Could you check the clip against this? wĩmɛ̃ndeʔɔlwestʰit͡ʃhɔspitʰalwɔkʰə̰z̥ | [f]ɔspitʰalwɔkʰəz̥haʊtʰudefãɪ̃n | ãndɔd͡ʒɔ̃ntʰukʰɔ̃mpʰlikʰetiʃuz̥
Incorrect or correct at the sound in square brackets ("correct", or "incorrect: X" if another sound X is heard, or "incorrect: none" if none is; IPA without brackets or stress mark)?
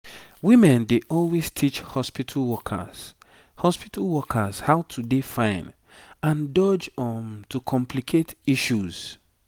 incorrect: h